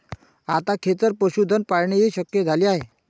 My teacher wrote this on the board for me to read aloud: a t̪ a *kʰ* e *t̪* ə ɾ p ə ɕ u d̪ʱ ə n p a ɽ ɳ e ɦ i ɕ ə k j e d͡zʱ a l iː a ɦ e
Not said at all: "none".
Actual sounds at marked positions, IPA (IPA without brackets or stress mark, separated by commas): kʰ, t̪